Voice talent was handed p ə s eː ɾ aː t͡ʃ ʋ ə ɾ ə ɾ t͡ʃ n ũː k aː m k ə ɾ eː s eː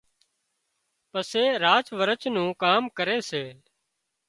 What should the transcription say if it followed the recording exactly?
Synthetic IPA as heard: p ə s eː ɾ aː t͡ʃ ʋ ə ɾ ə t͡ʃ n ũː k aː m k ə ɾ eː s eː